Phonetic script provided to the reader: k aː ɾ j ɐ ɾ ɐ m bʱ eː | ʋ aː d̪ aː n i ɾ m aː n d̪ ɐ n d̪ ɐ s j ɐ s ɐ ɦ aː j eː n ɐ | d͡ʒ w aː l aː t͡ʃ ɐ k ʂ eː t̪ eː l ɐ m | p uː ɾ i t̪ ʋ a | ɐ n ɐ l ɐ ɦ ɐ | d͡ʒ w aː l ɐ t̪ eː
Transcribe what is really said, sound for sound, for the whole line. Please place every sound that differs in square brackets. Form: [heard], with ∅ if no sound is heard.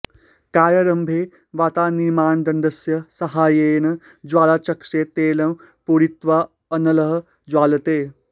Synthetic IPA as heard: k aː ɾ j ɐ ɾ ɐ m bʱ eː | ʋ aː [t̪] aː n i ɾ m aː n d̪ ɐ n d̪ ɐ s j ɐ s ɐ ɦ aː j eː n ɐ | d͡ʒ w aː l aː t͡ʃ ɐ k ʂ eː t̪ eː l ɐ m | p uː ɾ i t̪ ʋ a | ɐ n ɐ l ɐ ɦ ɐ | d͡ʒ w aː l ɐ t̪ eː